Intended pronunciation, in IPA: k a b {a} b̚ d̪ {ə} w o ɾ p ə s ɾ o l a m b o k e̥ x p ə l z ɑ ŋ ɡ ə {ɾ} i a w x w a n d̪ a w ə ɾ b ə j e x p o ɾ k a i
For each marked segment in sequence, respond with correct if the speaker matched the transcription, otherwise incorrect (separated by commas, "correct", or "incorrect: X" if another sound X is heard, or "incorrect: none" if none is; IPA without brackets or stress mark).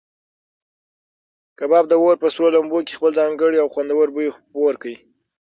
incorrect: ɑ, correct, incorrect: ɽ